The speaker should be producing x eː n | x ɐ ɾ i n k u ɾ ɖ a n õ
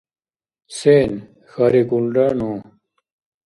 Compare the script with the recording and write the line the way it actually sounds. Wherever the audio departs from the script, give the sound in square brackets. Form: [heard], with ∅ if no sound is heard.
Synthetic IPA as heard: [s] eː n | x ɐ ɾ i [∅] k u [l] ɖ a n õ